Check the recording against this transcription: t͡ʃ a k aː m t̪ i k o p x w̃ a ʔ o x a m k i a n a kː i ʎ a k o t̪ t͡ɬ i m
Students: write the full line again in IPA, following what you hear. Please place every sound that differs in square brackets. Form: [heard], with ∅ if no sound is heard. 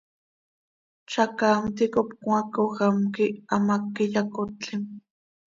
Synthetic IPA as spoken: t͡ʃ a k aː m t̪ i k o p [k] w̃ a [k] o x a m k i a [m] a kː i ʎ a k o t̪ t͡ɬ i m

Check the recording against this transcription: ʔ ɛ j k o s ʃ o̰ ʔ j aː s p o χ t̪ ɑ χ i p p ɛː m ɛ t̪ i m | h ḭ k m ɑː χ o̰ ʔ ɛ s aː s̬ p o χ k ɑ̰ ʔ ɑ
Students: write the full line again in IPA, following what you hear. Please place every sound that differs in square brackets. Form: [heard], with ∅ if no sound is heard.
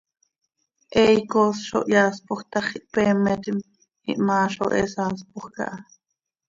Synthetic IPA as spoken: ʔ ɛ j k o s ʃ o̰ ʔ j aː s p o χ t̪ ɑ χ i [ʔ] p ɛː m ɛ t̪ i m | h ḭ [ʔ] m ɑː [ʃ] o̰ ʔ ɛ s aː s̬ p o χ k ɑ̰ ʔ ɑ

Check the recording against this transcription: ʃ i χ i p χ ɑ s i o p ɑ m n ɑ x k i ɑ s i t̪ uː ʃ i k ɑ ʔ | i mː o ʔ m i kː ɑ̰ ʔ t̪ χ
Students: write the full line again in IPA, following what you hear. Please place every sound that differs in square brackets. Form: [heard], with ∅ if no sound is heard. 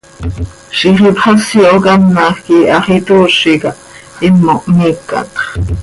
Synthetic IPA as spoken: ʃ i χ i p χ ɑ s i o [k] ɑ m n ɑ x k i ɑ [χ] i t̪ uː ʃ i k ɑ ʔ | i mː o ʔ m i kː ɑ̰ [∅] t̪ χ

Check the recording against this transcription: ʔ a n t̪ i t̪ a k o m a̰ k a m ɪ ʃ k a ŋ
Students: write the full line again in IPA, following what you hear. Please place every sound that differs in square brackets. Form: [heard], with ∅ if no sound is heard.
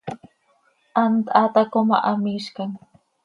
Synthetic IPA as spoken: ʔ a n t̪ [a] t̪ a k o m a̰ [ʔ] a m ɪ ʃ k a ŋ

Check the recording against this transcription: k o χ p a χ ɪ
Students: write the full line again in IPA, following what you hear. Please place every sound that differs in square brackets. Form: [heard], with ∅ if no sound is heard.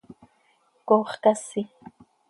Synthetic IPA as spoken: k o χ [k] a [s] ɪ

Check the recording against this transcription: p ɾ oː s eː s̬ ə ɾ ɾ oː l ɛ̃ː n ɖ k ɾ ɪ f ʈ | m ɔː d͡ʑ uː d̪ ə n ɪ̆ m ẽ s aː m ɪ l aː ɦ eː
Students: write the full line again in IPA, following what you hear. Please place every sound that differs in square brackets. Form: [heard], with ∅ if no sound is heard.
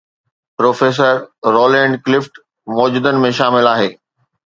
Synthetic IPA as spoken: p ɾ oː [f] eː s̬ ə ɾ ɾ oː l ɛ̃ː [ɳ] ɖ k [l] ɪ f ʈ | m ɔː d͡ʑ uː d̪ ə n ɪ̆ m ẽ [ʃ] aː m ɪ l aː ɦ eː

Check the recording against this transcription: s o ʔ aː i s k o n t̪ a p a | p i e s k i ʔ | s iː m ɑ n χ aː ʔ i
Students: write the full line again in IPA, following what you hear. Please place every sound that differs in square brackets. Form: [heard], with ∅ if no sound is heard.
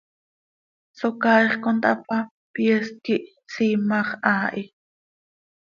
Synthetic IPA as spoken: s o [k] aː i [χ] k o n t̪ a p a | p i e s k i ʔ | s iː m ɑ [∅] χ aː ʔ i

